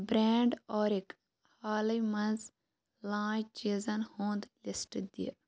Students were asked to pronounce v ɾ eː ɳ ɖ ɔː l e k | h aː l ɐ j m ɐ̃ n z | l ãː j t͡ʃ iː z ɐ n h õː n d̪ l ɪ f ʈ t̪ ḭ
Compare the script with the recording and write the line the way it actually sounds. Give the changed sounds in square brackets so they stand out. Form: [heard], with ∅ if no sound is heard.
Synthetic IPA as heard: [b] ɾ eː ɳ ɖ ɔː [ɾ] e k | h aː l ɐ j m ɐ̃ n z | l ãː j t͡ʃ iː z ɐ n h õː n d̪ l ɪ [s] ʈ [d̪] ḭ